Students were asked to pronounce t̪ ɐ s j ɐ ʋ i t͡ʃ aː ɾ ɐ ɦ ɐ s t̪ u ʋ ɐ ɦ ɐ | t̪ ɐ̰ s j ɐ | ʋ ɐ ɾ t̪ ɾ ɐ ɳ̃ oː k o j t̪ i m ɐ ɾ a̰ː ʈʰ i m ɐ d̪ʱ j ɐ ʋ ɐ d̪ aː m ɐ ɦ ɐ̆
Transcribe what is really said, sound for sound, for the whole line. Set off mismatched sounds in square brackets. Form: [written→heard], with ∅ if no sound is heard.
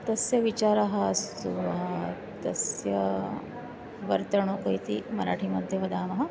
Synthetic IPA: t̪ ɐ s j ɐ ʋ i t͡ʃ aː ɾ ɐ ɦ ɐ s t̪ u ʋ ɐ ɦ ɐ | t̪ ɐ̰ s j ɐ | ʋ ɐ ɾ t̪ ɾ ɐ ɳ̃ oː k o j t̪ i m ɐ ɾ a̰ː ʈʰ i m ɐ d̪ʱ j ɐ ʋ ɐ d̪ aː m ɐ ɦ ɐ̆